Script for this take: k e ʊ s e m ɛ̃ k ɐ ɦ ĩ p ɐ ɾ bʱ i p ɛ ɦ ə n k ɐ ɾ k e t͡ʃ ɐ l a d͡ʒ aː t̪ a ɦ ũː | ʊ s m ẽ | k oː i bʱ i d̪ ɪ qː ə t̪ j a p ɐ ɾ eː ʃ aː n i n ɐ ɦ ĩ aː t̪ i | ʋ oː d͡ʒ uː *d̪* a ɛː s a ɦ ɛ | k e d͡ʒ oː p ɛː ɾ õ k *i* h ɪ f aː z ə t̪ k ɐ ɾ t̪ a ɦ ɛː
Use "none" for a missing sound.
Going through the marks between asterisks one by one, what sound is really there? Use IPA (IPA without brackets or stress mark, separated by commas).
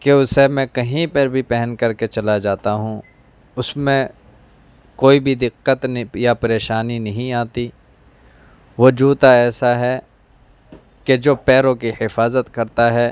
t̪, i